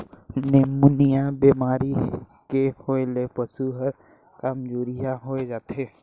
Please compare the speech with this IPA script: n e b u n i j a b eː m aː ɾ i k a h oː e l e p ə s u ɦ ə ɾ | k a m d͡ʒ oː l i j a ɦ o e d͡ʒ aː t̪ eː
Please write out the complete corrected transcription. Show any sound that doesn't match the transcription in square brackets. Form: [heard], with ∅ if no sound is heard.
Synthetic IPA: n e [m] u n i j a b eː m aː ɾ i k [e] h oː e l e p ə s u ɦ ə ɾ | k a m d͡ʒ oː [ɾ] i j a ɦ o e d͡ʒ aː t̪ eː